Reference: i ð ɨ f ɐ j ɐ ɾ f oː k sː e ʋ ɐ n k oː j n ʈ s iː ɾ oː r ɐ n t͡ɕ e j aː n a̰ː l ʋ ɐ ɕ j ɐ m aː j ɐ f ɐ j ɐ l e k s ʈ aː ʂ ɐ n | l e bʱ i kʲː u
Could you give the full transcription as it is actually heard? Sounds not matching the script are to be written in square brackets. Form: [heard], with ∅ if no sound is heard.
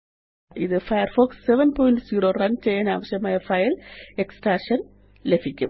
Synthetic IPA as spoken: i ð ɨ f ɐ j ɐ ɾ f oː k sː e ʋ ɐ n [p] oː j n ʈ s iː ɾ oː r ɐ n t͡ɕ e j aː n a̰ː [∅] ʋ ɐ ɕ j ɐ m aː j ɐ f ɐ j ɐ l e k s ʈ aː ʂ ɐ n | l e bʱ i kʲː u